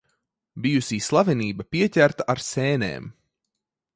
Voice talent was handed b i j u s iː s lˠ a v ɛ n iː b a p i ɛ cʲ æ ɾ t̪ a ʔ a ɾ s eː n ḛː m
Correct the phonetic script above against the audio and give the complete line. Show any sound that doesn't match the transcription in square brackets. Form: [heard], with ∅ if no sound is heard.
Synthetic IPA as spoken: b i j u s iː s lˠ a v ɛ n iː b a p i ɛ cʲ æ ɾ t̪ a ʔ a ɾ s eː n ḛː m